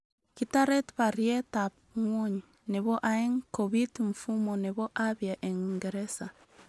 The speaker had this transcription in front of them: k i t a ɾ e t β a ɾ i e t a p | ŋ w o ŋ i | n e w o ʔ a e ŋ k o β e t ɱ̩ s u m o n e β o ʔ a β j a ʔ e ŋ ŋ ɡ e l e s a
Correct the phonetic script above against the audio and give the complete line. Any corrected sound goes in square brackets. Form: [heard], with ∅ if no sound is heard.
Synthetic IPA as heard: k i t a ɾ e t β a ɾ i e t a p | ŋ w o [ɲ] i | n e [β] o ʔ a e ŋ k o β [i] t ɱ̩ [f] u m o n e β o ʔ a β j a ʔ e ŋ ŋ ɡ e [ɾ] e s a